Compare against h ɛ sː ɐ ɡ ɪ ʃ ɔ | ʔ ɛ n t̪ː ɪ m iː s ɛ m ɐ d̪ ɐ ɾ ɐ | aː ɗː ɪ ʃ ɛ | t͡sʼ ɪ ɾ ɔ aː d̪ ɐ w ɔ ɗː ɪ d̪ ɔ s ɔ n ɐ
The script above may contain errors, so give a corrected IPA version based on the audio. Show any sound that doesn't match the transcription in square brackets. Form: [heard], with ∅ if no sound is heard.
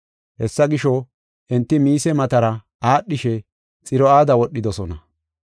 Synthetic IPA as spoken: h ɛ sː ɐ ɡ ɪ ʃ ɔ | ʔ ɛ n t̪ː ɪ m iː s ɛ m ɐ [t̪] ɐ ɾ ɐ | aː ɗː ɪ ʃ ɛ | t͡sʼ ɪ ɾ ɔ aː d̪ ɐ w ɔ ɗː ɪ d̪ ɔ s ɔ n ɐ